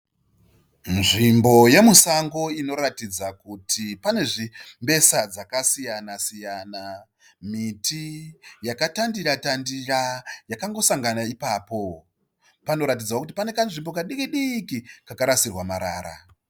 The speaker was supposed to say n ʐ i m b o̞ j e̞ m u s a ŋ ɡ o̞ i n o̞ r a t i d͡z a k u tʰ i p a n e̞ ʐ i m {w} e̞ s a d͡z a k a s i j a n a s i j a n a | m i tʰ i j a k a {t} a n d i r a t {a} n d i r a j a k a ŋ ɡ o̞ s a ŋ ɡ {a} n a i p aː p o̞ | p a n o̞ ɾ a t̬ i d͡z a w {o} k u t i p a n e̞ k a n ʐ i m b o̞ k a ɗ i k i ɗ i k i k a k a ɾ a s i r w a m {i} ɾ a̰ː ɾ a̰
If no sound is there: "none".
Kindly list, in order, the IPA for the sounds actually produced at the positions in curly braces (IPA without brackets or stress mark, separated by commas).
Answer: b, t, a, a, o, a